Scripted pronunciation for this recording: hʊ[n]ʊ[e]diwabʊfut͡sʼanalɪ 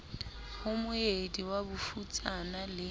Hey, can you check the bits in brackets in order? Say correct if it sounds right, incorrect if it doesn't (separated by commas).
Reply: incorrect, correct